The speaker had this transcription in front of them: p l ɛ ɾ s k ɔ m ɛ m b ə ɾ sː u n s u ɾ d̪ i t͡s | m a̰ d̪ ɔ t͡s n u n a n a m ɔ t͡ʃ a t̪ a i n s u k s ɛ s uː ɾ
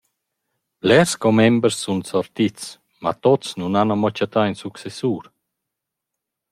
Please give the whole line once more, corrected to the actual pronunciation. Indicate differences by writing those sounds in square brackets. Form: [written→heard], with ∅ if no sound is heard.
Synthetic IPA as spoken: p l ɛ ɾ s k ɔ m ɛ m b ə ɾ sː u n s [u→ɔ] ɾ [d̪→t̪] i t͡s | m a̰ [d̪→t̪] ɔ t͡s n u n a n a m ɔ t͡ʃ a t̪ a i n s u k s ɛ s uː ɾ